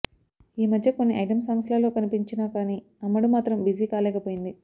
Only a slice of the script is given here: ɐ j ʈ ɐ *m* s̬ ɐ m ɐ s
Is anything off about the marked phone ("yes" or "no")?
no